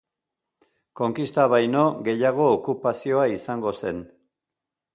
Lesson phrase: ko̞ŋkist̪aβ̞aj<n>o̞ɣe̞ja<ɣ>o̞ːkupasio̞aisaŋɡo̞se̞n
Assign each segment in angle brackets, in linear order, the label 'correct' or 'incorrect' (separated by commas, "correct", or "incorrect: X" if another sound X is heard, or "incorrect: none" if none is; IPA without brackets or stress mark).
correct, correct